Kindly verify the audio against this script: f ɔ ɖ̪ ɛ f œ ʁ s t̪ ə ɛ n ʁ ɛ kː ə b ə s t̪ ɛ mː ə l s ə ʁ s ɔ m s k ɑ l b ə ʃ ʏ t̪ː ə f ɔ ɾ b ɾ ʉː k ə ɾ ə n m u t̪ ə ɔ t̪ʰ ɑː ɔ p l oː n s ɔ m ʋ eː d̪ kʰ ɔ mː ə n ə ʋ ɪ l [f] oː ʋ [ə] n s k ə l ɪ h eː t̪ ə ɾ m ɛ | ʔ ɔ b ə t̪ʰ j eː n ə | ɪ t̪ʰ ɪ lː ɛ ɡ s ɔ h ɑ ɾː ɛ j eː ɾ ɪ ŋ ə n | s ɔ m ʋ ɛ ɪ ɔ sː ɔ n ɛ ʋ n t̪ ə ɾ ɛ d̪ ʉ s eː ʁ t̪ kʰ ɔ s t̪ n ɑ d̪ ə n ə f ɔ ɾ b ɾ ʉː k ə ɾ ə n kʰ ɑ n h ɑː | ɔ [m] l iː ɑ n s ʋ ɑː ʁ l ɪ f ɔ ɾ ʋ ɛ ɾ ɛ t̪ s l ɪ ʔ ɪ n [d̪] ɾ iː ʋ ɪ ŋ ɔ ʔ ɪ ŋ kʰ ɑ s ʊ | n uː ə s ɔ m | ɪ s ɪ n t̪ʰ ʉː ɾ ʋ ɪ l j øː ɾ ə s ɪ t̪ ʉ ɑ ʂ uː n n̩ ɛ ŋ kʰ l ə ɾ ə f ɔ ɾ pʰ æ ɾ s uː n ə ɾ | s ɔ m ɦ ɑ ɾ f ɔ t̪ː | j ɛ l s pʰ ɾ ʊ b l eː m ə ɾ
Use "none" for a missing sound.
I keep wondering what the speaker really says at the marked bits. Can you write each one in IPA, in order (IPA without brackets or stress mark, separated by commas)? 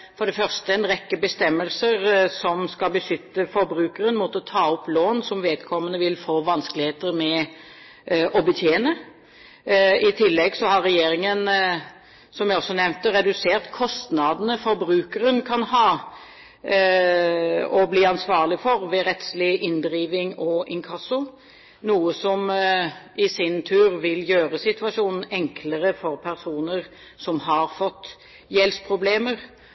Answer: f, ɑ, b, d̪